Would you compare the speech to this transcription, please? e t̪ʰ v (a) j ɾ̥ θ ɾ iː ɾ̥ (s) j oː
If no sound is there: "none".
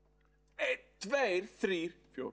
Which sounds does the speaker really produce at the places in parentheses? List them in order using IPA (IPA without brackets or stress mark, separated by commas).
e, f